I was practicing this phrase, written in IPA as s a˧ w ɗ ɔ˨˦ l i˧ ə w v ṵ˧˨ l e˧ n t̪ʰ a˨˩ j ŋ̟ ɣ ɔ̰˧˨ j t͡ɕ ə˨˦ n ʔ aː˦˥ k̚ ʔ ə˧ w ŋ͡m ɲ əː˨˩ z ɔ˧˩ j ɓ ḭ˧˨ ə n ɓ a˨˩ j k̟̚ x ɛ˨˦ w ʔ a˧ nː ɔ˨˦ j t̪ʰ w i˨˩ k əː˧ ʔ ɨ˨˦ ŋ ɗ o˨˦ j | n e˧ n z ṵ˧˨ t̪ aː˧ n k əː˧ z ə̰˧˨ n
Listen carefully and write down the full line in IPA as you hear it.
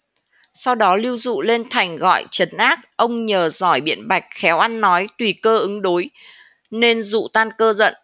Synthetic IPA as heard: s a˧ w ɗ ɔ˨˦ l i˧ ə w z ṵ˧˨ l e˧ n t̪ʰ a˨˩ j ŋ̟ ɣ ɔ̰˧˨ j t͡ɕ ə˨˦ n ʔ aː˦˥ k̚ ʔ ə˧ w ŋ͡m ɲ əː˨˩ z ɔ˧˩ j ɓ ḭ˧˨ ə n ɓ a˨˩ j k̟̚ x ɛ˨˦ w ʔ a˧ nː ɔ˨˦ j t̪ w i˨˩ k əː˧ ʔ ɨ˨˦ ŋ ɗ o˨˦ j | n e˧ n z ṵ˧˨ t̪ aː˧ n k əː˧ z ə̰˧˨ n